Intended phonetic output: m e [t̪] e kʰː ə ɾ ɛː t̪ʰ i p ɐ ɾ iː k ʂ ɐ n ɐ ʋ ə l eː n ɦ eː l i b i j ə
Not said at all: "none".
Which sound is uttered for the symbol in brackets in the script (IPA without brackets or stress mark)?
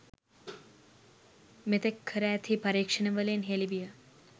t̪